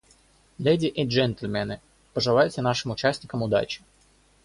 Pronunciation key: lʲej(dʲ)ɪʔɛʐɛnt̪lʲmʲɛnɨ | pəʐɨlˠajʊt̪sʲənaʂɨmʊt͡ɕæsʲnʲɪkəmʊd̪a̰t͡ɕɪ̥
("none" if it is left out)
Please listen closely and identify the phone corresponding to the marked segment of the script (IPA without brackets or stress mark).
dʲ